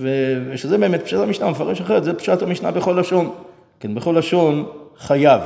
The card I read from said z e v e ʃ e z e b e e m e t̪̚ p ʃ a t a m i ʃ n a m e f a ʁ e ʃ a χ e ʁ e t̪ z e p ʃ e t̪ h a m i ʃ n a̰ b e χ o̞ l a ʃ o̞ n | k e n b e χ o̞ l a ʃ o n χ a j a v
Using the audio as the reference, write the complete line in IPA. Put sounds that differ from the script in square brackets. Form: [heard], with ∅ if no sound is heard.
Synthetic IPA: [v] e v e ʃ e z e b e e m e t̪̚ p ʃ a t a m i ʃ n a m e f a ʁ e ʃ a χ e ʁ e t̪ z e p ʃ [a] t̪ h a m i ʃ n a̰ b e χ o̞ l a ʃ o̞ n | k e n b e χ o̞ l a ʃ o n χ a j a v